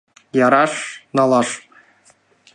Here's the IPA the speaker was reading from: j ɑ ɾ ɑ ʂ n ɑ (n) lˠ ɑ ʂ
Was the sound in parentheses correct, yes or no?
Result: no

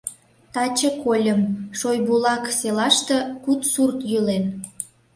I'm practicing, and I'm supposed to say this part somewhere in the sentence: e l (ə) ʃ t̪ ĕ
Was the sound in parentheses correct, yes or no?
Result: no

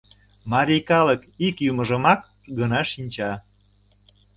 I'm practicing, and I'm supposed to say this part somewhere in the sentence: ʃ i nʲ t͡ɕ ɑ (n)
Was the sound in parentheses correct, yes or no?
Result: no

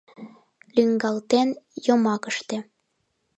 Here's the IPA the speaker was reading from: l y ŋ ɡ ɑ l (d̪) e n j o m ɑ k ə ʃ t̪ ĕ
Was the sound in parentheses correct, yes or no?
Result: no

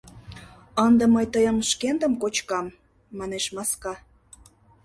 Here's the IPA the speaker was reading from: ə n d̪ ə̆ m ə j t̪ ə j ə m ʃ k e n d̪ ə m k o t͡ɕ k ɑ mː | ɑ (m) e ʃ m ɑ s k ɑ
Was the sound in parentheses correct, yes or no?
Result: no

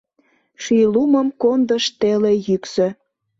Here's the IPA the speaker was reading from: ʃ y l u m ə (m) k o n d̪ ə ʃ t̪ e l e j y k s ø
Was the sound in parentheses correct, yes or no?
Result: yes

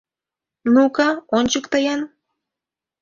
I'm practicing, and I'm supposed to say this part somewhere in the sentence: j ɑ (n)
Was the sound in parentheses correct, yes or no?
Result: yes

